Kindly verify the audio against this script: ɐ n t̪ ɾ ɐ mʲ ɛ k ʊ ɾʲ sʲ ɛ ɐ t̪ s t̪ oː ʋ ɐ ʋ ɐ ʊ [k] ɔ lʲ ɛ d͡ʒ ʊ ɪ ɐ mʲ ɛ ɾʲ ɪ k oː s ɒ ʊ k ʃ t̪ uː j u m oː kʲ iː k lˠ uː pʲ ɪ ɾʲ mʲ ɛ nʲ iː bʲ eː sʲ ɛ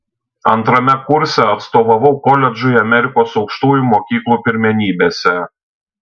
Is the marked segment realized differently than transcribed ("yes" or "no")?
no